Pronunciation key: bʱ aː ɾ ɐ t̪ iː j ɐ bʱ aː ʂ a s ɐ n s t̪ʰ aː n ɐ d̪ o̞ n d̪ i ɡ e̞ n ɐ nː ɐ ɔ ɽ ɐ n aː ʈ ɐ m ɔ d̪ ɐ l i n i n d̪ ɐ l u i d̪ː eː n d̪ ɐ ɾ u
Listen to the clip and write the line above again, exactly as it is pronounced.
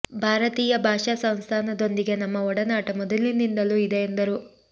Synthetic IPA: bʱ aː ɾ ɐ t̪ iː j ɐ bʱ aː ʂ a s ɐ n s t̪ʰ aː n ɐ d̪ o̞ n d̪ i ɡ e̞ n ɐ mː ɐ ɔ ɽ ɐ n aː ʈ ɐ m ɔ d̪ ɐ l i n i n d̪ ɐ l u i d̪ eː n d̪ ɐ ɾ u